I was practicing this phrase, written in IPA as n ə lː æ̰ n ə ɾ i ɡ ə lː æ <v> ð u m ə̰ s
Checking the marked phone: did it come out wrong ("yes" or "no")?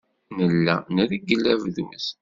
no